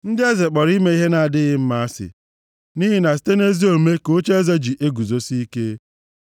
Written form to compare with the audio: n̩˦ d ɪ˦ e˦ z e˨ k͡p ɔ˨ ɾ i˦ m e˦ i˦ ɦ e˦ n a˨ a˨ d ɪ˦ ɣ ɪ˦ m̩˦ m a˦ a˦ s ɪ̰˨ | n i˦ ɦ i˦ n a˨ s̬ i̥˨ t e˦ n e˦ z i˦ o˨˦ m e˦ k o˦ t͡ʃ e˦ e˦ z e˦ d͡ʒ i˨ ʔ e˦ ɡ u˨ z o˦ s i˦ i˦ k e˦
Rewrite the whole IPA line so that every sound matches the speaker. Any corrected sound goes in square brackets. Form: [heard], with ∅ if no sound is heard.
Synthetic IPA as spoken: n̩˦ d ɪ˦ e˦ z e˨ k͡p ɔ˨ ɾ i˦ m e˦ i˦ ɦ e˦ n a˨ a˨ d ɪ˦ ɣ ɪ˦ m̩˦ m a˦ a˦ s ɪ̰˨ | n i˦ ɦ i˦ n a˨ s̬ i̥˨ t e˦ n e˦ z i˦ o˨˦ m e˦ k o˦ t͡ʃ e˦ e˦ z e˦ d͡ʒ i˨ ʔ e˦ ɡ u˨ z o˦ s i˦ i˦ k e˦